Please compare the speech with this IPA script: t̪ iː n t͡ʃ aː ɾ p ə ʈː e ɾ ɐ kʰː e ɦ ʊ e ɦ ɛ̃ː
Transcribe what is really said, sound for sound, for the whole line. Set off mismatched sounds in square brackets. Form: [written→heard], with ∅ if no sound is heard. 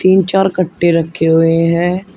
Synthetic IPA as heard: t̪ iː n t͡ʃ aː ɾ [p→k] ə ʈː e ɾ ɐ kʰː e ɦ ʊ e ɦ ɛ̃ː